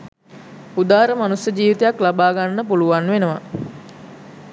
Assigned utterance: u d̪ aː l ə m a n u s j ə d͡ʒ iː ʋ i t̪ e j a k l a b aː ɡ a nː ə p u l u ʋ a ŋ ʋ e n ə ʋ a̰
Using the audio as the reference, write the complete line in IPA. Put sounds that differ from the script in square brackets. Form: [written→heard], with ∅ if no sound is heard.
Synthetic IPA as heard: u d̪ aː [l→ɾ] ə m a n u s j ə d͡ʒ iː ʋ i t̪ e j a k l a b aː ɡ a nː ə p u l u ʋ a [ŋ→n] ʋ e n ə ʋ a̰